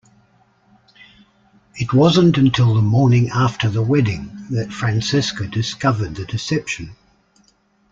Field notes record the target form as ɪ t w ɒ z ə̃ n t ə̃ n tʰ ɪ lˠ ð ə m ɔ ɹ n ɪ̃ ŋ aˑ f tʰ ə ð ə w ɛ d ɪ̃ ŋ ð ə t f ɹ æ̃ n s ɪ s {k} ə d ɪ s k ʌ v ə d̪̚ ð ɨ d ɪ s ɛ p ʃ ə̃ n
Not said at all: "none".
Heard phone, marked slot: k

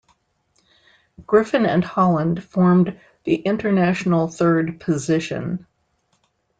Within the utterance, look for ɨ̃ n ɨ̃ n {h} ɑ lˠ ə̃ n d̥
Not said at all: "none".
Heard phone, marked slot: h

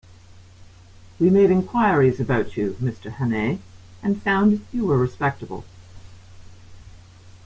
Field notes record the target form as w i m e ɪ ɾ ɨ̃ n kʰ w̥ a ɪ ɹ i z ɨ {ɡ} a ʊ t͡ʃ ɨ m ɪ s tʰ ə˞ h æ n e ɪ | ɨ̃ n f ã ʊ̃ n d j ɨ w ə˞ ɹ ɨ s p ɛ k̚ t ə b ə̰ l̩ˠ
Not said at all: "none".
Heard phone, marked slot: b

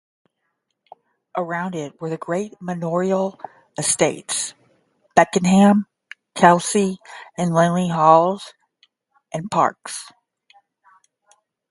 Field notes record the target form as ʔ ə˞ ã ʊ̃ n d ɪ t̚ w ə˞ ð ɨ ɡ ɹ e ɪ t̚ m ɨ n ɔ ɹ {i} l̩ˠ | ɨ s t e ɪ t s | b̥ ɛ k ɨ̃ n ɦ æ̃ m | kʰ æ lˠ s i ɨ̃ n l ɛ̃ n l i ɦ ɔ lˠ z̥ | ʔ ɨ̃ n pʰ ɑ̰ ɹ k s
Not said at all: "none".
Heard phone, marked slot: i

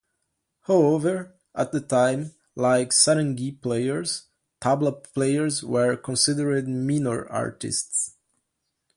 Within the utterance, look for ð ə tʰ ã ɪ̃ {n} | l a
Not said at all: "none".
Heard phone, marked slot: m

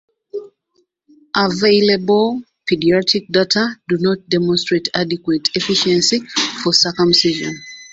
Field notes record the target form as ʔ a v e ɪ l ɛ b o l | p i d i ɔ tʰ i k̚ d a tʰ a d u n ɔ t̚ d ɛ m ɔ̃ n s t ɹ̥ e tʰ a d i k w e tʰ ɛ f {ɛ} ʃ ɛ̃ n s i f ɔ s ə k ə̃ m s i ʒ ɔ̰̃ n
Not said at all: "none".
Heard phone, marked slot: i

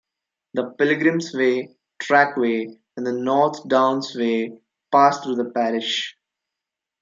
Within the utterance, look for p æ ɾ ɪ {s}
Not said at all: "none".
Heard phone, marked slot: ʃ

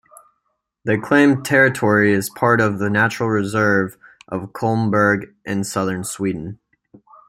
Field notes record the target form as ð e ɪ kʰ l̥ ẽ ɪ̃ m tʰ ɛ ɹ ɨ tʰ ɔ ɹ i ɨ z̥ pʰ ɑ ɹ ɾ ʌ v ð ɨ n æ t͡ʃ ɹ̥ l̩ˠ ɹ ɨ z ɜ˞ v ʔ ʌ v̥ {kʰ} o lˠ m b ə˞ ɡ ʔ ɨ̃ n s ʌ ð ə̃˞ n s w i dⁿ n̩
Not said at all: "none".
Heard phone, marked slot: kʰ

